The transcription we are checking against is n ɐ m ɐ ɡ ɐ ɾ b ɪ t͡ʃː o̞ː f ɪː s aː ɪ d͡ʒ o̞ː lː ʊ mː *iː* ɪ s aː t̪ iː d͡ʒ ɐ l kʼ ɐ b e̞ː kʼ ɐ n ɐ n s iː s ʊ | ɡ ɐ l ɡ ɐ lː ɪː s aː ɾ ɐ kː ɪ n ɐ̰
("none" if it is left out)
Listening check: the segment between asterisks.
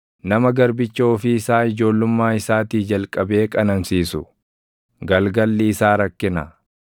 aː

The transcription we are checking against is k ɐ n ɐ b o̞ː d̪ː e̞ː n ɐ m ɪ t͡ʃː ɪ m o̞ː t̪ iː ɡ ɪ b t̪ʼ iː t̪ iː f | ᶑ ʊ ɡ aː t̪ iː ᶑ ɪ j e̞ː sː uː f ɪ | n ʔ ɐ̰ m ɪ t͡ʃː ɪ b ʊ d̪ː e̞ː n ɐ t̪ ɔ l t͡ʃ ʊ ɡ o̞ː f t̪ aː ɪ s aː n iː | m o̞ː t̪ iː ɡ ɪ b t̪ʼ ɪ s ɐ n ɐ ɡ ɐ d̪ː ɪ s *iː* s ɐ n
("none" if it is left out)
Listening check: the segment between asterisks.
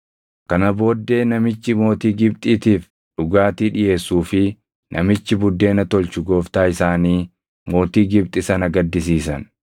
iː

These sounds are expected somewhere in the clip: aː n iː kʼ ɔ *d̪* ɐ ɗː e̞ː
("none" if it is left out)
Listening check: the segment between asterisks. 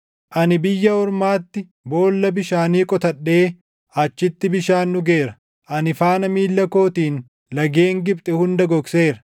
t̪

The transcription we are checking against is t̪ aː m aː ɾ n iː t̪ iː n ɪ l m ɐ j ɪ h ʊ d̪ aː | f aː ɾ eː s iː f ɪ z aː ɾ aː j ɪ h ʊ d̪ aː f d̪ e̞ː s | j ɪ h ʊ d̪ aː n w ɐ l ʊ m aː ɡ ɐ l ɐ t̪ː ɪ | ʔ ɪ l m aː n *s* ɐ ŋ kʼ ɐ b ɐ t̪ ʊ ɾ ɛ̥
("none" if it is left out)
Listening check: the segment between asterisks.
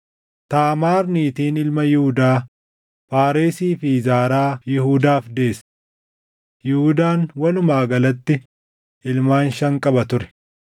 ʃ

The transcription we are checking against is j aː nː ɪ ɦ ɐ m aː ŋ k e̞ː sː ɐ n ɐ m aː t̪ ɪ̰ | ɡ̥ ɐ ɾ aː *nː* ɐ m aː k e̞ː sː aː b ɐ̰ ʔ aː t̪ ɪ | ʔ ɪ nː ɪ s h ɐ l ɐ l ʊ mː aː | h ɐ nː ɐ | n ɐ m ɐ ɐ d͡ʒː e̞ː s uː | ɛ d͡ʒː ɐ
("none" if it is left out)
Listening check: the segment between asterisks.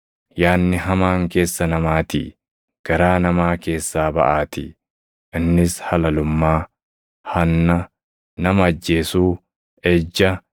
n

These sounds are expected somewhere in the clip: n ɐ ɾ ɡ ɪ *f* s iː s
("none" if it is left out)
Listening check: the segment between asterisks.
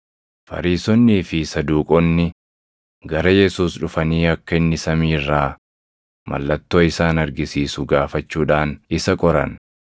none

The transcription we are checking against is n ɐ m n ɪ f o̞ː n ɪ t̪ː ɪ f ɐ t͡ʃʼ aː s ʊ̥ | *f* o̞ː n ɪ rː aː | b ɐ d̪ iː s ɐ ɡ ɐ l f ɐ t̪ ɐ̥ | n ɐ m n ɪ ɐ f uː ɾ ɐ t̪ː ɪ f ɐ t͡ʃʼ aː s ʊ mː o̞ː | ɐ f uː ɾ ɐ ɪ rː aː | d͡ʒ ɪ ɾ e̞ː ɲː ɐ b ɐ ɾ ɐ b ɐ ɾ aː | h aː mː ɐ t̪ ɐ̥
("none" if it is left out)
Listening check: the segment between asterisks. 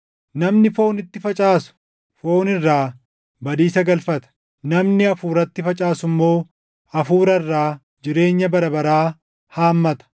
f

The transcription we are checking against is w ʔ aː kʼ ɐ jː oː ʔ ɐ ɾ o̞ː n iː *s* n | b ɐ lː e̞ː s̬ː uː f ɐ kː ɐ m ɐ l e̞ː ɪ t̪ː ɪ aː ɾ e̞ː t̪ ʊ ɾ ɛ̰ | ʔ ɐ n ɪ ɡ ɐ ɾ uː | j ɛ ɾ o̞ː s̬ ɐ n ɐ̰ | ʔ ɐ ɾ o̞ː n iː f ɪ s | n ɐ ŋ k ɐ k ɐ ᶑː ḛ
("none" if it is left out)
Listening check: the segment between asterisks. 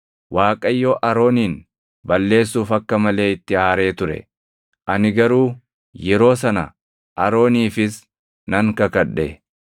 none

